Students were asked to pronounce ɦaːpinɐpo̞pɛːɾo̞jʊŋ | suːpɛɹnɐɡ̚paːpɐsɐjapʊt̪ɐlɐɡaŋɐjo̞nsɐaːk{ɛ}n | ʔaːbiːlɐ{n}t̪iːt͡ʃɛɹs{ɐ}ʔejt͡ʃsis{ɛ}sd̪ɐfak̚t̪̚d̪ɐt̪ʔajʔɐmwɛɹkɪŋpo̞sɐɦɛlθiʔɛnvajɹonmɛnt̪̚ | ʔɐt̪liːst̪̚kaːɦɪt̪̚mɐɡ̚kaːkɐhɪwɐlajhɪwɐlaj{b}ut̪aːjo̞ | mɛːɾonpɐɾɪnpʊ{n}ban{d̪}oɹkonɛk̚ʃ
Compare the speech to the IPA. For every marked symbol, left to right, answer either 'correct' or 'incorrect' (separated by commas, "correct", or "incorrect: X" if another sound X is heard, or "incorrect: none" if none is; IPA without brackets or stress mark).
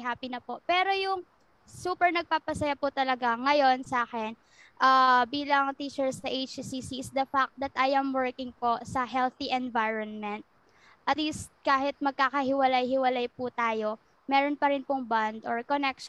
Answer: correct, incorrect: ŋ, correct, incorrect: i, incorrect: p, incorrect: ŋ, correct